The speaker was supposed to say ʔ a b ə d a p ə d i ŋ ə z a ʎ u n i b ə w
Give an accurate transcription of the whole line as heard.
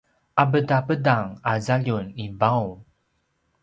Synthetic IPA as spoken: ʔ a b ə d a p ə d a ŋ a z a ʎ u n i b a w

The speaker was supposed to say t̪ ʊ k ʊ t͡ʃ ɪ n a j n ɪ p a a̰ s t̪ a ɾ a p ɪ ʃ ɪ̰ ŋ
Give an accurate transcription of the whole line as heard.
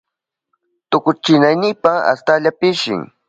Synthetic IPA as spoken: t̪ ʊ k ʊ t͡ʃ ɪ n a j n ɪ p a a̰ s t̪ a ʎ a p ɪ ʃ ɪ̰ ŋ

